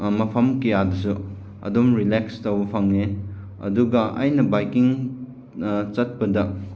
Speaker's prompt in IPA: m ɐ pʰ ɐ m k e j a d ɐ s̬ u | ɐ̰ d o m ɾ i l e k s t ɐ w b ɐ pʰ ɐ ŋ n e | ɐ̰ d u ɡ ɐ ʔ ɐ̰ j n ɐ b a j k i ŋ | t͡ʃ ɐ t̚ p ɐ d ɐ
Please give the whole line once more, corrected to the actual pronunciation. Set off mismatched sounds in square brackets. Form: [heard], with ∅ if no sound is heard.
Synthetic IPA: m ɐ pʰ ɐ m k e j a d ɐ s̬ u | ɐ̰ d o m ɾ i l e k s t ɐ w b ɐ pʰ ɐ ŋ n e | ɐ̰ d u ɡ ɐ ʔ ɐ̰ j n ɐ b a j k i ŋ | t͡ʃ ɐ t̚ p ɐ d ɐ

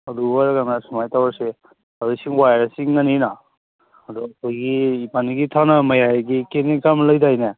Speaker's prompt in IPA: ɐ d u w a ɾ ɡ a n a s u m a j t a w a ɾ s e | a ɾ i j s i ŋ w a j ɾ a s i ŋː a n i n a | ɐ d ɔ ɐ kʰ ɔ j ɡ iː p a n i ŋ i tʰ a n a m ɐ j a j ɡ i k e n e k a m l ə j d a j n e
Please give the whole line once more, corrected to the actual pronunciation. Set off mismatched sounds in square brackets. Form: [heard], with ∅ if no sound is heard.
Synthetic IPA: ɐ d u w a ɾ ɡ a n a s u m a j t a w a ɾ s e | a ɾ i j s i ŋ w a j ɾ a s i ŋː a n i n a | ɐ d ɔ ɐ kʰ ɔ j ɡ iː p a n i [ɡ] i tʰ a n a m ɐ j a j ɡ i k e n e k a m l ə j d a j n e

